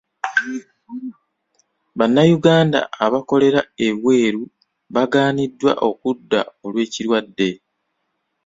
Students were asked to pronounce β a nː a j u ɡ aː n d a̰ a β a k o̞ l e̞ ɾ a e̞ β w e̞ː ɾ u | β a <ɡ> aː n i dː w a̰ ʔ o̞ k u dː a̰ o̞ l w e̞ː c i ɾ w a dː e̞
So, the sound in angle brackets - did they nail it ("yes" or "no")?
yes